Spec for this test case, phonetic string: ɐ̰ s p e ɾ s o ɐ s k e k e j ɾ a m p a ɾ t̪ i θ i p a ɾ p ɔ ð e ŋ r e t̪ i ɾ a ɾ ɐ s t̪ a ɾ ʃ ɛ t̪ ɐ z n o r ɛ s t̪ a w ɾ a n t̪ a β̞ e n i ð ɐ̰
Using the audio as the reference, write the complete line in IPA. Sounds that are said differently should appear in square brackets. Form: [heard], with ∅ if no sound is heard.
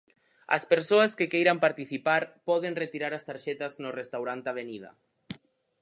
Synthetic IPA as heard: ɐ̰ s p e ɾ s o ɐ s k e k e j ɾ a m p a ɾ t̪ i θ i p a ɾ p ɔ ð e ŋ r e t̪ i ɾ a ɾ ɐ s t̪ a ɾ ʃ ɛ t̪ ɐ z n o r [e] s t̪ a w ɾ a n t̪ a β̞ e n i ð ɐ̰